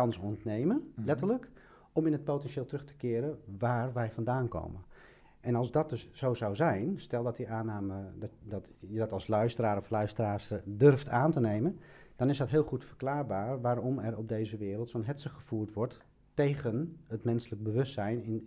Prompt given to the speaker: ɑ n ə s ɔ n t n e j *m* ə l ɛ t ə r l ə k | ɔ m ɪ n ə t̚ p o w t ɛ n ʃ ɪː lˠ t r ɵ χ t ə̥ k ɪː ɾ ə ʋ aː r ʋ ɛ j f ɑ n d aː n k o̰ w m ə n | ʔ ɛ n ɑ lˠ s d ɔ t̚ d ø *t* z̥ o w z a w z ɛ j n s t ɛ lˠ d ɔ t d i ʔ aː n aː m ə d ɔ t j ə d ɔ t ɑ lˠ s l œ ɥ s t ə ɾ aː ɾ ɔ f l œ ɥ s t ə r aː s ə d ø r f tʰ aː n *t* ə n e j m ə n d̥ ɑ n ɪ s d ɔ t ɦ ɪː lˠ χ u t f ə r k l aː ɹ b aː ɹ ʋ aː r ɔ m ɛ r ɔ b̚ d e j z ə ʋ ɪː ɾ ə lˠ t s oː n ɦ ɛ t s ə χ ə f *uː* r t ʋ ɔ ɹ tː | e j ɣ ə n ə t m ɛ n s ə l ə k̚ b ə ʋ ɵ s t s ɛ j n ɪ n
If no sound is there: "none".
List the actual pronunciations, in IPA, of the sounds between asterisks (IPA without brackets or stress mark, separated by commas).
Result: m, s, t, uː